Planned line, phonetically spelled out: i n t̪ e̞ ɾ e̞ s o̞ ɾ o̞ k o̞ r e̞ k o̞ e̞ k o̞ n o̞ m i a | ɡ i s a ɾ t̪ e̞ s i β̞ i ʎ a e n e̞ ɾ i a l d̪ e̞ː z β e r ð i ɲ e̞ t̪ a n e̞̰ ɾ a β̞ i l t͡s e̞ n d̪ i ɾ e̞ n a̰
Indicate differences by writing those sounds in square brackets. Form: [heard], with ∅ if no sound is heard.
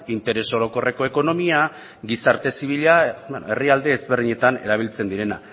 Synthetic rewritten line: i n t̪ e̞ ɾ e̞ s o̞ ɾ o̞ k o̞ r e̞ k o̞ e̞ k o̞ n o̞ m i a | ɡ i s a ɾ t̪ e̞ s i β̞ i ʎ a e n e̞ [r] i a l d̪ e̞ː z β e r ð i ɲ e̞ t̪ a n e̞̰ ɾ a β̞ i l t͡s e̞ n d̪ i ɾ e̞ n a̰